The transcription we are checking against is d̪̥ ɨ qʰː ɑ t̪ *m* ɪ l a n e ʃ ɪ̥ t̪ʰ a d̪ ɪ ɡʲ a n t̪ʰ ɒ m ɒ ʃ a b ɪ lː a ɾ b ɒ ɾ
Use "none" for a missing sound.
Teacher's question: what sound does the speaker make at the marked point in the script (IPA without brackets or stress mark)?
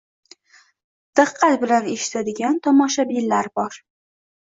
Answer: b